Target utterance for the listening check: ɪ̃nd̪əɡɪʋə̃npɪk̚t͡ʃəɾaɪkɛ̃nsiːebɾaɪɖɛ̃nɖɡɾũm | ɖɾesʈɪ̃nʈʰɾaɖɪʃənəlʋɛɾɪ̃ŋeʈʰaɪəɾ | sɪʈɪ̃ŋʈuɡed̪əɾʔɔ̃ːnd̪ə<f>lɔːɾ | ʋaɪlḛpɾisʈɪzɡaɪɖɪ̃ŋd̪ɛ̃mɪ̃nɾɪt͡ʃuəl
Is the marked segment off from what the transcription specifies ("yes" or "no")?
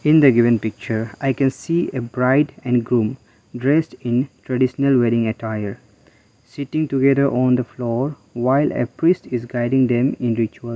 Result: no